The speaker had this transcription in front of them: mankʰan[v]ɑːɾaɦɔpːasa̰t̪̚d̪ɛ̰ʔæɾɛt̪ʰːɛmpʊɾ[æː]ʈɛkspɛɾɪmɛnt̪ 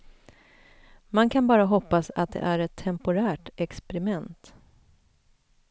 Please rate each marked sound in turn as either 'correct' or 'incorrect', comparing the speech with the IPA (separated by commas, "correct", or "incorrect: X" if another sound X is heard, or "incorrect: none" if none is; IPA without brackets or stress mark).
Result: incorrect: b, correct